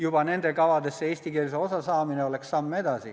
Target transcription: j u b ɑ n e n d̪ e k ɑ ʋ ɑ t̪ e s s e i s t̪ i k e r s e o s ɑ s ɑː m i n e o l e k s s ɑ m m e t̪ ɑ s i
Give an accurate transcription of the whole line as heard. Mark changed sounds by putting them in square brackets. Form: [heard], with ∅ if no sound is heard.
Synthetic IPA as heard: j u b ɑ n e n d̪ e k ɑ ʋ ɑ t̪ e s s e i s t̪ i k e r s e o s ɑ s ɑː m i n e o l e k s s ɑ m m e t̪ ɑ s i